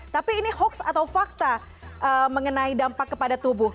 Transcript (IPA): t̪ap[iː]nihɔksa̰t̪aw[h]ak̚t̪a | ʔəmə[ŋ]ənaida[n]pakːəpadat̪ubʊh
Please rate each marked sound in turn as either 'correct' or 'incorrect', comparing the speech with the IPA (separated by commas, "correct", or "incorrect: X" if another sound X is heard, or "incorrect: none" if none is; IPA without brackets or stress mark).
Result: correct, incorrect: f, correct, incorrect: m